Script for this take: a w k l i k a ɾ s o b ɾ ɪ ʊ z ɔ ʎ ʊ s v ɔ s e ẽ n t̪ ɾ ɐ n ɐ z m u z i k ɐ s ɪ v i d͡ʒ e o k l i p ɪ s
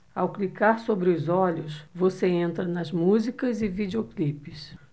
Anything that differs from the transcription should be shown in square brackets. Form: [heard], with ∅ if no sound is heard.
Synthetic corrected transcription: a w k l i k a ɾ s o b ɾ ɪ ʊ z ɔ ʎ ʊ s v [o] s e ẽ n t̪ ɾ ɐ n ɐ z m u z i k ɐ [z] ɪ v i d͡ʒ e o k l i p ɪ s